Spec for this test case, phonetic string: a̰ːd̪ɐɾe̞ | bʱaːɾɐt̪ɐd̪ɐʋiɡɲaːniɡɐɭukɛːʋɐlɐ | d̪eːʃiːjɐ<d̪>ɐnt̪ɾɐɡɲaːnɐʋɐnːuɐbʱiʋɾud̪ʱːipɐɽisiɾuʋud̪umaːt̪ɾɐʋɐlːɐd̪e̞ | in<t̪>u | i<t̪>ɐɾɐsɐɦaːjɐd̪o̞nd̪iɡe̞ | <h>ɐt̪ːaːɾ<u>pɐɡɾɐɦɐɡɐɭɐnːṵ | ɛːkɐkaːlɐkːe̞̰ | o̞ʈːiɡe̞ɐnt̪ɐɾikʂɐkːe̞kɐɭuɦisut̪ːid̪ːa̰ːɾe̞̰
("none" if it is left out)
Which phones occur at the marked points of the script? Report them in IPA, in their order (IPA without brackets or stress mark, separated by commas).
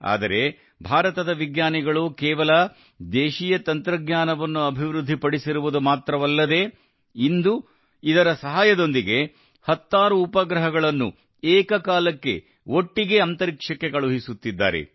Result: t̪, d̪, d̪, h, uː